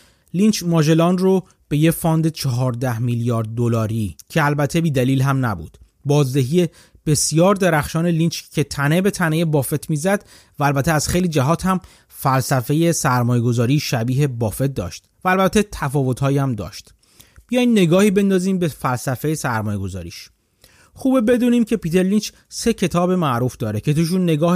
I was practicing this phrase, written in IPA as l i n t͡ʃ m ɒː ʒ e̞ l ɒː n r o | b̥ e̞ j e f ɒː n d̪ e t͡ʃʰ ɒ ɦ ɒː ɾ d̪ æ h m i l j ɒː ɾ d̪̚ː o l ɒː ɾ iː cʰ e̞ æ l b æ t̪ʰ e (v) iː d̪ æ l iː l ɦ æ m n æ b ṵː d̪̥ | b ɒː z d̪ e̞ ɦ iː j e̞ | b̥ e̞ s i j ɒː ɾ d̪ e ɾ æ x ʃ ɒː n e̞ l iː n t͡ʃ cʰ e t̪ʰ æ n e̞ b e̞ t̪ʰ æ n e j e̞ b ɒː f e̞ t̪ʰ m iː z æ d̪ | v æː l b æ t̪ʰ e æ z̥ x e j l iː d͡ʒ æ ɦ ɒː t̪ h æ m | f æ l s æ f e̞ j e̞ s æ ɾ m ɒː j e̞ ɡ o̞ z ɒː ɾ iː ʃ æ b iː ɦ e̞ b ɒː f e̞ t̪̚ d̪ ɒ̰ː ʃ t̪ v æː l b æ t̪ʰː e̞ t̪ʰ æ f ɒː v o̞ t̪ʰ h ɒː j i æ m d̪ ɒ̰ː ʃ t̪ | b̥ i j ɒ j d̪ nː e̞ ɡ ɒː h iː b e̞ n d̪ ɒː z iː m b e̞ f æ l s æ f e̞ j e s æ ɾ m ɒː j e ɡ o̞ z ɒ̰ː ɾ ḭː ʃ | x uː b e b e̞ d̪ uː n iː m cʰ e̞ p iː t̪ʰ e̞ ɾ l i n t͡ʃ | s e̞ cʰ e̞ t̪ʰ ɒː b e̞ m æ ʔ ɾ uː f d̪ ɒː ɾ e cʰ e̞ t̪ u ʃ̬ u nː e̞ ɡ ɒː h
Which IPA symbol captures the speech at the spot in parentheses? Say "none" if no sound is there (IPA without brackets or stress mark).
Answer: b